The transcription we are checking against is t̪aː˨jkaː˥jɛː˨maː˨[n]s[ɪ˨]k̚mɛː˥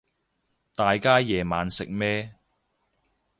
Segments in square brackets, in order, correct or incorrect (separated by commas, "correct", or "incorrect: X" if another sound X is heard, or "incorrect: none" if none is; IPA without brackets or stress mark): correct, correct